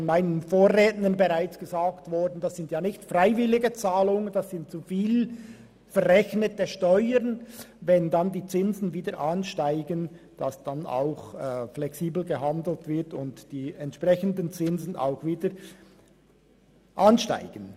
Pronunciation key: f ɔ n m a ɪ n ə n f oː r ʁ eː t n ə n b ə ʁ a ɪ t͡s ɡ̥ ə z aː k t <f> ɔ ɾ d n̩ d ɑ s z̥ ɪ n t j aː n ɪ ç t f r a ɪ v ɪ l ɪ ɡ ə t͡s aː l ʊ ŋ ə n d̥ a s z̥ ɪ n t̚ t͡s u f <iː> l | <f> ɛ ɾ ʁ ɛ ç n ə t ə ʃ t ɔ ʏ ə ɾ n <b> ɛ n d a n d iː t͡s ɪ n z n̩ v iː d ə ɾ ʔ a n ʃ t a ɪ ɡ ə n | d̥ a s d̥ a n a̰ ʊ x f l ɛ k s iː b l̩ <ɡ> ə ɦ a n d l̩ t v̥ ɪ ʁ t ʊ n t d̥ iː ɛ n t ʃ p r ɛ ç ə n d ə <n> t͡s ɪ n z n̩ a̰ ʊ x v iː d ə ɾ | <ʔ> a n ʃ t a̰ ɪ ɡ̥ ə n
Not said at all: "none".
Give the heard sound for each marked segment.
v, iː, f, v, ɡ, n, ʔ

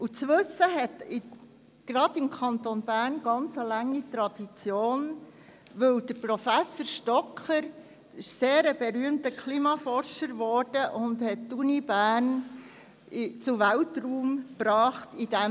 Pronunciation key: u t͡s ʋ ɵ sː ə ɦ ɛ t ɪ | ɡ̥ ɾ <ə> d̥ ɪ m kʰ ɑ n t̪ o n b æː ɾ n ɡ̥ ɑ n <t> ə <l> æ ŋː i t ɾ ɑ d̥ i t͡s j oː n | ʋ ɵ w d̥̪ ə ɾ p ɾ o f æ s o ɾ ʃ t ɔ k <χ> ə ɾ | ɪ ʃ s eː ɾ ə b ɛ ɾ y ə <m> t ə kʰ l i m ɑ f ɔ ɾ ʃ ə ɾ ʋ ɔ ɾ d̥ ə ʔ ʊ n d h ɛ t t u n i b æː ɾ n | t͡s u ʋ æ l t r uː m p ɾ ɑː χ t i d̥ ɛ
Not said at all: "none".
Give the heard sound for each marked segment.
ɑ, t͡s, l, χ, m

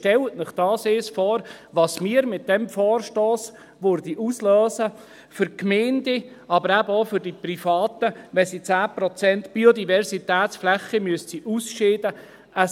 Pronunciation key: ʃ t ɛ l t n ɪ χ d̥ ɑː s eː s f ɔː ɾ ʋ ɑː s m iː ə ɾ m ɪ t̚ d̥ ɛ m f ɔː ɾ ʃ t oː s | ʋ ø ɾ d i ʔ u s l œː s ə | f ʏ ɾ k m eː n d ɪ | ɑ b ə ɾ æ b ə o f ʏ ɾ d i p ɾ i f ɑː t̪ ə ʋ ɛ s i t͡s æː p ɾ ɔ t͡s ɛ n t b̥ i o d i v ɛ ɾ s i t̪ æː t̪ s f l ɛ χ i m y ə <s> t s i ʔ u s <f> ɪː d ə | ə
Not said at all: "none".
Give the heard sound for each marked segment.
s, ʃ

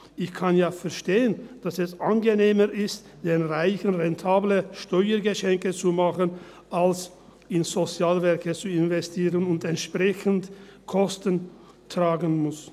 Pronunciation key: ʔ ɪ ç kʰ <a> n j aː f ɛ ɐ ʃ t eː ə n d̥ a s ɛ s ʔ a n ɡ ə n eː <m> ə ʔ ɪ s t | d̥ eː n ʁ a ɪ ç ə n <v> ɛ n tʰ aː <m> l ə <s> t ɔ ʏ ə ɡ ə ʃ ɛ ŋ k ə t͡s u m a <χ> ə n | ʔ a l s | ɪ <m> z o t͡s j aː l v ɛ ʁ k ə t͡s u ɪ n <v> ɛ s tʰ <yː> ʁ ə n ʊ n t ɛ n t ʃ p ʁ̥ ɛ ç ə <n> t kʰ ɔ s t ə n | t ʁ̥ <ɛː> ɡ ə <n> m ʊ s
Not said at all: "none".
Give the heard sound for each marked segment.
a, m, ʁ, b, ʃ, χ, n, v, iː, n, aː, n

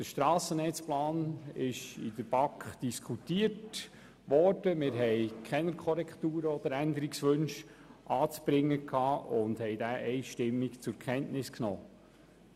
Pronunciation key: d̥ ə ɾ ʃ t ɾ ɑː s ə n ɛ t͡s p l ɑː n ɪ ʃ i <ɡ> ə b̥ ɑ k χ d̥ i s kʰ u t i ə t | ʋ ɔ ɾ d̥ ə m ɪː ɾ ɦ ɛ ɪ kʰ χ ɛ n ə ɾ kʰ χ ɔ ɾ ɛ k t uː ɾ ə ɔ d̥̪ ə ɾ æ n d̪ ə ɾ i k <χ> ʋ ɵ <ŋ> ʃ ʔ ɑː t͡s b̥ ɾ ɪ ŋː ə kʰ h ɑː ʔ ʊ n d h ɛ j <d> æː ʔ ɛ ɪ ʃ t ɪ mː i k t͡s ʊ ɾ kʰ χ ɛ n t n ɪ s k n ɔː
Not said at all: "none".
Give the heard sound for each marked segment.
d, s, n, d

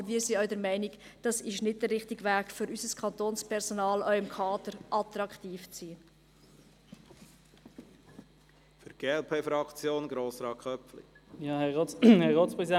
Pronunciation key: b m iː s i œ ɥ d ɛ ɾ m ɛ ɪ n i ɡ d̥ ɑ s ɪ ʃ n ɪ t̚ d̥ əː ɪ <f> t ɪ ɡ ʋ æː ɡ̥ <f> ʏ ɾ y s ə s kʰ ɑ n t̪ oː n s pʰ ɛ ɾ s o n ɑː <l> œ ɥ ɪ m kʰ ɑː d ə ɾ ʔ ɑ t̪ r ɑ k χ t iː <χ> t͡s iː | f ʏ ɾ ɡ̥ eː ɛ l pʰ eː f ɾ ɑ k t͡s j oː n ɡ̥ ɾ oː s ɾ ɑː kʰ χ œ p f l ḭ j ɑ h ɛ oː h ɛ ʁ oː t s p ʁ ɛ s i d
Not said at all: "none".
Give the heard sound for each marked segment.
χ, f, l, f

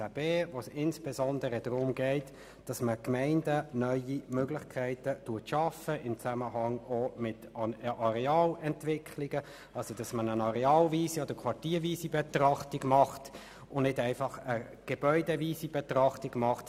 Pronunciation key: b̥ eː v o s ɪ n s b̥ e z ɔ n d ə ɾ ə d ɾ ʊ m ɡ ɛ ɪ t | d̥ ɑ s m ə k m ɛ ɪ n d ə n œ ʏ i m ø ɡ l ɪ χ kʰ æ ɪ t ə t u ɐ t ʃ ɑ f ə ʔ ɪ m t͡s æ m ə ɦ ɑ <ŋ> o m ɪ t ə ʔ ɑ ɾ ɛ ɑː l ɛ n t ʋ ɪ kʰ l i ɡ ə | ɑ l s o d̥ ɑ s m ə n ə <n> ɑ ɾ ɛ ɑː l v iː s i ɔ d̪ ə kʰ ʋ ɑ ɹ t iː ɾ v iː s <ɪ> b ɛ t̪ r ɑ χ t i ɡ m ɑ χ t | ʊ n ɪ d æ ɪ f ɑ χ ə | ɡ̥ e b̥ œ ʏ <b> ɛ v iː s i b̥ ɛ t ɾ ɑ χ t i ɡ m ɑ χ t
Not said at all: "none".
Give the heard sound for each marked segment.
ŋ, n, i, d

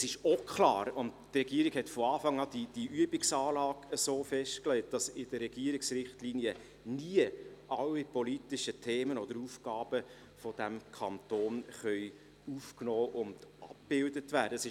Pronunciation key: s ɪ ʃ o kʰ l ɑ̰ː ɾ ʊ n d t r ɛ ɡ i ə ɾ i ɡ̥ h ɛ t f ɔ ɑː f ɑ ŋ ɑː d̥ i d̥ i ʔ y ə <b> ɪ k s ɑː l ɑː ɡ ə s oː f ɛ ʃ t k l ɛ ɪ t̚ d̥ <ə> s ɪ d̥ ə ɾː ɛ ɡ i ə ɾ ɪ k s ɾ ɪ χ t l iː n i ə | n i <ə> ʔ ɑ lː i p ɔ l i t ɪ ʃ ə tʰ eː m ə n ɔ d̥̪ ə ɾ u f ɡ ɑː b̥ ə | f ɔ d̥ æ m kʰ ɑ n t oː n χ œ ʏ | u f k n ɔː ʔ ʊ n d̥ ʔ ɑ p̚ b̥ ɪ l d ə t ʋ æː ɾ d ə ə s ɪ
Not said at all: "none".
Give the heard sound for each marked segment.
b, ɑ, ə

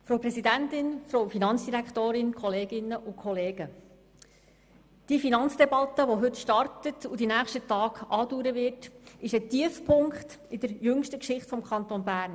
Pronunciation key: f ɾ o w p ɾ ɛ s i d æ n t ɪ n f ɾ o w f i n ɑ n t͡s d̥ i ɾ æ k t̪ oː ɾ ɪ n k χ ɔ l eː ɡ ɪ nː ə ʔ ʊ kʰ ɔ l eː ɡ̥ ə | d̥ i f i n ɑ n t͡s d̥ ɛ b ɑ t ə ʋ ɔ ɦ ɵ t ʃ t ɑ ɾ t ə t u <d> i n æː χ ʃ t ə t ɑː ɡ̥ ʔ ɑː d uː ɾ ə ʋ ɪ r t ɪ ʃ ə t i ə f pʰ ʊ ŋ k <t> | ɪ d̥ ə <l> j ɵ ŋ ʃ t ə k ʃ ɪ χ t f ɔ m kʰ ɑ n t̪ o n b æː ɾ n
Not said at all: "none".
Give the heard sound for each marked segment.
d, t, ɾ

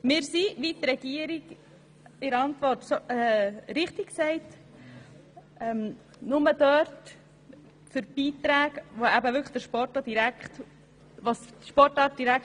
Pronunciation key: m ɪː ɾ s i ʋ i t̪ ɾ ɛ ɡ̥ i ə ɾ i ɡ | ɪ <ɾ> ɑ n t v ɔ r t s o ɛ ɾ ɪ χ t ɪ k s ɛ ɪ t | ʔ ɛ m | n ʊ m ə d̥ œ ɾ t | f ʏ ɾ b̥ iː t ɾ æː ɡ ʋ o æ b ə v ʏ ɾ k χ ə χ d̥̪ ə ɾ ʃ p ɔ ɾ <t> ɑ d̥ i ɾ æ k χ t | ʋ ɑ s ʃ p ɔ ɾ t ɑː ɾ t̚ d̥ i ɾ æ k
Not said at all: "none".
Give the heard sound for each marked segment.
ɾ, t

